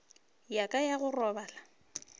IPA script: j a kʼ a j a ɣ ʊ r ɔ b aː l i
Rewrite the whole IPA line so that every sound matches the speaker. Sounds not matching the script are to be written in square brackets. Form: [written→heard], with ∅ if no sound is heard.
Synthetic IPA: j a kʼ a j a ɣ ʊ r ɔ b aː l [i→a]

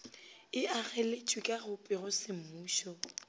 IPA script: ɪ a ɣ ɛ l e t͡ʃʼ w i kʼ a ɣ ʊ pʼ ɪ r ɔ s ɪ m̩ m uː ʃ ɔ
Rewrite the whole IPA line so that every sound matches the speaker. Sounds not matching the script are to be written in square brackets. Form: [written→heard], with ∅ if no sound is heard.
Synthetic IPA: ɪ a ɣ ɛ l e t͡ʃʼ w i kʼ a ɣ ʊ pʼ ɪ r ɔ s ɪ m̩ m uː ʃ ɔ

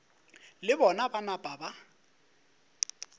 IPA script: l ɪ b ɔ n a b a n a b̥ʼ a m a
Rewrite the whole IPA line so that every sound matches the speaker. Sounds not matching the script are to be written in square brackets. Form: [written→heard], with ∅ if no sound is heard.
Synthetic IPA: l ɪ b ɔ n a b a n a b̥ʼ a [m→b] a

